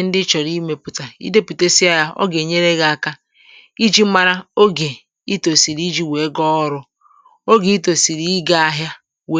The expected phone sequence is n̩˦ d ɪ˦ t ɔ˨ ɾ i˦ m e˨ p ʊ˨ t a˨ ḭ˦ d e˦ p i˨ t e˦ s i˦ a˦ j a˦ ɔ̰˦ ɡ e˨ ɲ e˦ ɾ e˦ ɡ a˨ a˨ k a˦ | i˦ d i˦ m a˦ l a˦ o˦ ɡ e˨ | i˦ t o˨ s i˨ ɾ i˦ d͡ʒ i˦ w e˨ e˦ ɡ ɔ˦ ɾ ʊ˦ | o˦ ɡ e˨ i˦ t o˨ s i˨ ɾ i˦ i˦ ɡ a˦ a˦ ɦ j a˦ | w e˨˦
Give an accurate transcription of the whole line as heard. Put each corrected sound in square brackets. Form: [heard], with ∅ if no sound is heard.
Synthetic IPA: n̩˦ d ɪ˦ [t͡ʃ] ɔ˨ ɾ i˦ m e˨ p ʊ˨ t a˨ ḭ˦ d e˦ p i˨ t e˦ s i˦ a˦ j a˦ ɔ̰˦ ɡ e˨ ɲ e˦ ɾ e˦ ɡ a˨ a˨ k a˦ | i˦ [d͡ʒ] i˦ m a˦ [ɾ] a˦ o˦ ɡ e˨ | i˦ t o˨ s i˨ ɾ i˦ d͡ʒ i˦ w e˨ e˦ ɡ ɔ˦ ɾ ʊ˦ | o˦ ɡ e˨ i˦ t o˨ s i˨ ɾ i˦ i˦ ɡ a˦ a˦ ɦ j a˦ | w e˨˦